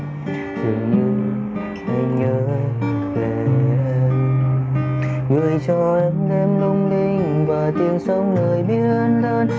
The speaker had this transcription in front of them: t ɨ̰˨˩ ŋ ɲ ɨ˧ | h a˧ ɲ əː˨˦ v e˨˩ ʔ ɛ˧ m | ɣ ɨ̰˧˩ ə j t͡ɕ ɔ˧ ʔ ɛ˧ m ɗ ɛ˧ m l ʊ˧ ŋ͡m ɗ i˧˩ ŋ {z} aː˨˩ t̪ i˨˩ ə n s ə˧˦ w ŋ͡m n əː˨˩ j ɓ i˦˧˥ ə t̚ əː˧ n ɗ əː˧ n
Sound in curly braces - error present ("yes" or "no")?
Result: yes